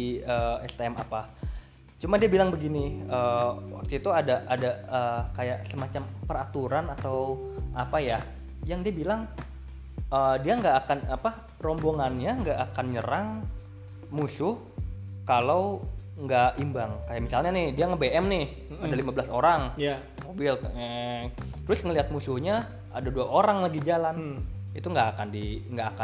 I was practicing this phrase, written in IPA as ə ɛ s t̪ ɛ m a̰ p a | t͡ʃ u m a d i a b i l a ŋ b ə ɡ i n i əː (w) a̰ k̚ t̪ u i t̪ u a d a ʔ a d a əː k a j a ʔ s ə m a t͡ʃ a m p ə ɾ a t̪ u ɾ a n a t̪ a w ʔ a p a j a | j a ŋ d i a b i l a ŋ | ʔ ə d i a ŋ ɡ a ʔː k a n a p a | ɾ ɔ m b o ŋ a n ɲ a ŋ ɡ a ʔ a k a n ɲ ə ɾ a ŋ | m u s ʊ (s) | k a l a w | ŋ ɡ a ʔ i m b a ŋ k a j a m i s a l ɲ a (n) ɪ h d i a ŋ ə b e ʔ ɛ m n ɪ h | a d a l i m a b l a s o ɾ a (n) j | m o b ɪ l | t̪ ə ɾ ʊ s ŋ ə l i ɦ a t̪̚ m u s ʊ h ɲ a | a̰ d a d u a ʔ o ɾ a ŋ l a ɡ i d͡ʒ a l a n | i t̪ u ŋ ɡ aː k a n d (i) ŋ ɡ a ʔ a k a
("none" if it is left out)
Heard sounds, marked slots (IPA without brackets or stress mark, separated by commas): w, h, n, ŋ, i